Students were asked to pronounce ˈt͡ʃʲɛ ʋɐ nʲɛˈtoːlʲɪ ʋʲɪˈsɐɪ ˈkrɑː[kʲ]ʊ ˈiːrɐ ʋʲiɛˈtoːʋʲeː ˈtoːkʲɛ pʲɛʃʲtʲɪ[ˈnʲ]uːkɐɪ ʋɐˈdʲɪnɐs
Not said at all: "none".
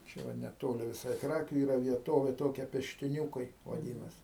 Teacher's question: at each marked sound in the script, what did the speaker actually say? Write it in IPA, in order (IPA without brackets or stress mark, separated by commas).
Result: kʲ, nʲ